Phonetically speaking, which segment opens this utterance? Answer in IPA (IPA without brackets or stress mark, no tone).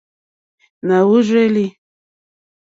n